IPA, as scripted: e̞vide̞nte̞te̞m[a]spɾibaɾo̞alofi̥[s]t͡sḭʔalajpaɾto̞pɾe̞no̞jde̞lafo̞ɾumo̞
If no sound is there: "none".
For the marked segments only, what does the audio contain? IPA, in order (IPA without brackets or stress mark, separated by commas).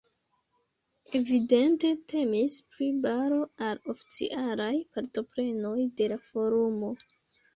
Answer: i, none